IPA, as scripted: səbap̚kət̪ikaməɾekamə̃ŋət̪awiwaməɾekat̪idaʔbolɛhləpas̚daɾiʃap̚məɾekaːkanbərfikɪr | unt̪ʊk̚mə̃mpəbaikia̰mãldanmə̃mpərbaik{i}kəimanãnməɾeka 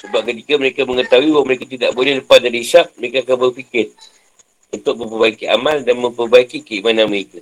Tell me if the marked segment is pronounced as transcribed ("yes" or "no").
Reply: yes